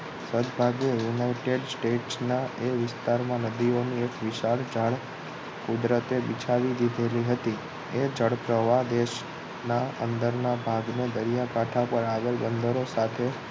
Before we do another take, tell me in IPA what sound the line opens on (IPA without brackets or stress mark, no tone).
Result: s